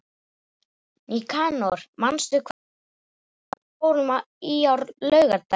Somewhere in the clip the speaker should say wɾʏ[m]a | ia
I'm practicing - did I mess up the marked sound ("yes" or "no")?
no